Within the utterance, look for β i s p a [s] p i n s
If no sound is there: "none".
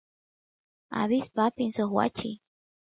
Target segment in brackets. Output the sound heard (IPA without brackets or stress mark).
none